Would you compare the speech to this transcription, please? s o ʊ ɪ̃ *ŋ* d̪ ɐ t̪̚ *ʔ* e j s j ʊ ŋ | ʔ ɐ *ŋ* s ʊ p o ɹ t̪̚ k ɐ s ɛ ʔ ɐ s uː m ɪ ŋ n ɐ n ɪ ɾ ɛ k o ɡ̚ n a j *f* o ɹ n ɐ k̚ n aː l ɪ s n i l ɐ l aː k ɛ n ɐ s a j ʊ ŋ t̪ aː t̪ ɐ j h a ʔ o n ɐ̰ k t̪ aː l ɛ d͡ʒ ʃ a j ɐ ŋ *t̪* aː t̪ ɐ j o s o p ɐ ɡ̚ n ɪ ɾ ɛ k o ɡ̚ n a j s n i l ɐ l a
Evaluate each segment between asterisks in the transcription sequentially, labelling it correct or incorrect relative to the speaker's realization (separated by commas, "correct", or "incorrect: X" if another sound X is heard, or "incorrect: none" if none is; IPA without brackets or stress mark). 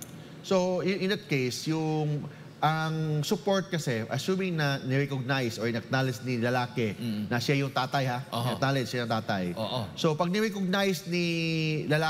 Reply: incorrect: n, incorrect: k, correct, incorrect: s, correct